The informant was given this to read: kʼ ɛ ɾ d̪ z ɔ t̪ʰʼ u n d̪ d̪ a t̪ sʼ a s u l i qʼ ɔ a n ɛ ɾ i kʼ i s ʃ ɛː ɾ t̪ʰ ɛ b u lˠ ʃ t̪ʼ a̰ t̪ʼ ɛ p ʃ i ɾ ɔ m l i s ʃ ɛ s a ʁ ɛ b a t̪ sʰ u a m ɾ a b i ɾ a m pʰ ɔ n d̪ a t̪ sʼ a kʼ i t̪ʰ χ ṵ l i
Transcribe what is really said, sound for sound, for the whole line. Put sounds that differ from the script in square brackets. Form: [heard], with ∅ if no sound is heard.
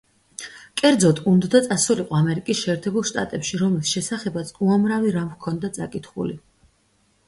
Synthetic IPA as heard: kʼ ɛ ɾ d̪ z ɔ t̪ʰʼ u n d̪ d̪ a t̪ sʼ a s u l i qʼ ɔ a [m] ɛ ɾ i kʼ i s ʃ ɛː ɾ t̪ʰ ɛ b u lˠ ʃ t̪ʼ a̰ t̪ʼ ɛ p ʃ i ɾ ɔ m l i s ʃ ɛ s a [χ] ɛ b a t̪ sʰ u a m ɾ a [v] i ɾ a m [kʰ] ɔ n d̪ a t̪ sʼ a kʼ i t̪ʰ χ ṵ l i